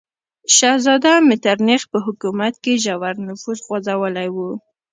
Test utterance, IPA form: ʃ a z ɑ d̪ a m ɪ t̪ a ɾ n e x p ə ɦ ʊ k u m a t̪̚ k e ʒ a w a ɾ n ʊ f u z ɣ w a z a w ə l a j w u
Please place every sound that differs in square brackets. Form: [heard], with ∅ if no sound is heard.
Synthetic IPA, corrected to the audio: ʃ a z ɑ d̪ a m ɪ t̪ a ɾ n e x p ə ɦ ʊ k u m a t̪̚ k e ʒ a w a ɾ n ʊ f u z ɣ w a z a w ə l a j w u